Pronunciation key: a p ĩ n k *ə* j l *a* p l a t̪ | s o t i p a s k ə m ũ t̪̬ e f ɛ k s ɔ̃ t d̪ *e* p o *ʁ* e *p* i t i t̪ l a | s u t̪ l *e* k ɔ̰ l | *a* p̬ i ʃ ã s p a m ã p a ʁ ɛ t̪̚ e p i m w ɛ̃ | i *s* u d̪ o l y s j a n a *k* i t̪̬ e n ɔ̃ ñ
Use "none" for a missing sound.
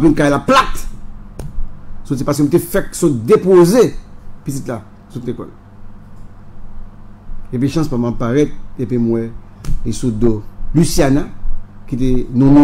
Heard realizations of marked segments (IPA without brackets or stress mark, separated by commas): a, a, e, z, p, e, e, s, k